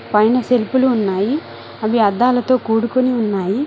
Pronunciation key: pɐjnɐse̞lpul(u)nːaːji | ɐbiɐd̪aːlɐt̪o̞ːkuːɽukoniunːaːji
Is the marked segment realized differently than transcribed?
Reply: yes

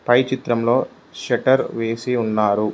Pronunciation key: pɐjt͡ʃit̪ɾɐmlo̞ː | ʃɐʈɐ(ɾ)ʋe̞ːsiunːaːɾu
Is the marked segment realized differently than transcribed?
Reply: no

